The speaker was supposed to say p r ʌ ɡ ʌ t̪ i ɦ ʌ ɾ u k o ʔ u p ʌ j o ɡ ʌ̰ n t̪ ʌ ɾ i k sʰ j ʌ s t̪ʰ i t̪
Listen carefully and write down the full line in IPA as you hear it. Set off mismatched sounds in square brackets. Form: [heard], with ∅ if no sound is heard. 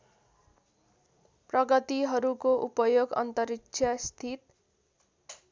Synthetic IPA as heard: p r ʌ ɡ ʌ t̪ i ɦ ʌ ɾ u k o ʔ u p ʌ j o ɡ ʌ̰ n t̪ ʌ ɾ i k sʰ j ʌ s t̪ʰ i t̪